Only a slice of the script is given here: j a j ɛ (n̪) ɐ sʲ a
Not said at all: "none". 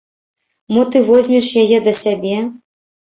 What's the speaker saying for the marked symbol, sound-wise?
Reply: d̪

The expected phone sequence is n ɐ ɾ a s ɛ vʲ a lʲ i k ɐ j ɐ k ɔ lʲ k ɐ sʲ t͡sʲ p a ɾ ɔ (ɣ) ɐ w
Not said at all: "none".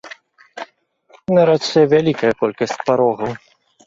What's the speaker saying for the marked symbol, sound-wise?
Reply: ɣ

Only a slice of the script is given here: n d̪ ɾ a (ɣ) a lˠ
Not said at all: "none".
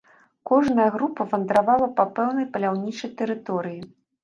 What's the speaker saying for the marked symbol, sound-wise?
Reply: v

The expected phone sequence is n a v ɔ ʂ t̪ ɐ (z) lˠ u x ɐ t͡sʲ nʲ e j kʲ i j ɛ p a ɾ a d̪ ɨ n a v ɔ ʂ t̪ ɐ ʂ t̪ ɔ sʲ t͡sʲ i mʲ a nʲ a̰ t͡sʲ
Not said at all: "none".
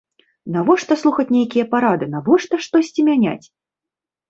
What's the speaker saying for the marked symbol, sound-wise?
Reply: s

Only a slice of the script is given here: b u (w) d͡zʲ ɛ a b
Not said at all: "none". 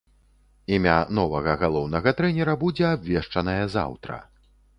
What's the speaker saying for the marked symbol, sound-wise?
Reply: none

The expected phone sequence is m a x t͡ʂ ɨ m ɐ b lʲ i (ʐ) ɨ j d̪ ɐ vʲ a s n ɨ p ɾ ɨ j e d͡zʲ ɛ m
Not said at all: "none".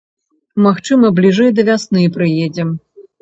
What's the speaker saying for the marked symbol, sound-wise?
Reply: ʐ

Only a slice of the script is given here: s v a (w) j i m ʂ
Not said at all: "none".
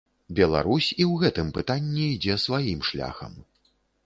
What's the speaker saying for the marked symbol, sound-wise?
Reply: none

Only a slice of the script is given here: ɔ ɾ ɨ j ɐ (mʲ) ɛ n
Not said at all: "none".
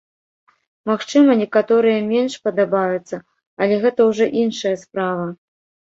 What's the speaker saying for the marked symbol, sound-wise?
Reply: mʲ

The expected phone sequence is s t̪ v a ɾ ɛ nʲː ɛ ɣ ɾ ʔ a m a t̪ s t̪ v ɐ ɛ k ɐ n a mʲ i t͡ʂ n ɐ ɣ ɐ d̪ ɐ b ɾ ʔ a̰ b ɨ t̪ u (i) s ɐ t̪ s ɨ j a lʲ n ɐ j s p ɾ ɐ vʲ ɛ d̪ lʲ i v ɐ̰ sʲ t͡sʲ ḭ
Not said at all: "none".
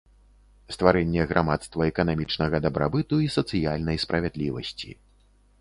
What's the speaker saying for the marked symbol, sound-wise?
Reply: i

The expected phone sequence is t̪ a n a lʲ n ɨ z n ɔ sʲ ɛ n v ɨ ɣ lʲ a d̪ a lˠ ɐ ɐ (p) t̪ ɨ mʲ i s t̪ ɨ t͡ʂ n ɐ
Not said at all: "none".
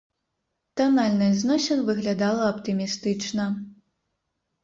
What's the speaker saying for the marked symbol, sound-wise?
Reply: p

